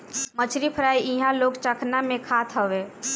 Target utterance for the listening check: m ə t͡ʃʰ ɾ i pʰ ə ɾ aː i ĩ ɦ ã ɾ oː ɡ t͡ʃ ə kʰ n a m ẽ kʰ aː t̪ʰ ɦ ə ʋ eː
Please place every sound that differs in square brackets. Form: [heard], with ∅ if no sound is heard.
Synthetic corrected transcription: m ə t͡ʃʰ ɾ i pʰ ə ɾ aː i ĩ ɦ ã [l] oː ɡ t͡ʃ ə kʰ n a m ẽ kʰ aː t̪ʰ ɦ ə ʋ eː